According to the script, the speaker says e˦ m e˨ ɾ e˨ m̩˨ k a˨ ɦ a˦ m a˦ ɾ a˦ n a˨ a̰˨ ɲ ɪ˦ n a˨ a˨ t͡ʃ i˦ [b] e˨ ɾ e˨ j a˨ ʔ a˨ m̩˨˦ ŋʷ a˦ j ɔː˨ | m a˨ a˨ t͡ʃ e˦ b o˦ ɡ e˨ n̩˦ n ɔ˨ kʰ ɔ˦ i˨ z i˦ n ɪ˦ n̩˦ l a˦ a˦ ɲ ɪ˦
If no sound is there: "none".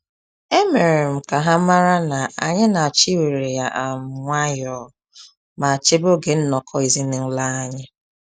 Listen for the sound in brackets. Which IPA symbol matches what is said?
w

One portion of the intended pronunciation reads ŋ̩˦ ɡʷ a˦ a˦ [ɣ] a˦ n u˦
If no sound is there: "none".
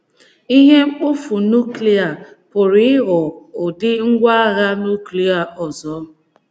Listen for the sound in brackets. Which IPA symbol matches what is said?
ɣ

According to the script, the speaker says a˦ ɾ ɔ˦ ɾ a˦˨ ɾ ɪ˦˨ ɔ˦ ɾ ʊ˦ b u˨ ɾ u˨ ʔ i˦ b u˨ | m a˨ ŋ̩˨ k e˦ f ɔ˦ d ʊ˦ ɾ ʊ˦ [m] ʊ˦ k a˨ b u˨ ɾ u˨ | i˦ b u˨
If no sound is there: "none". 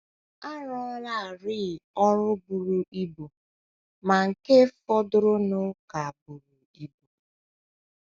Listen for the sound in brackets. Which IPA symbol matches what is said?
n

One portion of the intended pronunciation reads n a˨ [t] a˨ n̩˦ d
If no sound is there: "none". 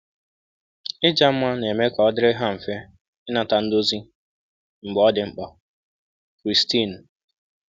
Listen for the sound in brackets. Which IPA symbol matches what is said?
t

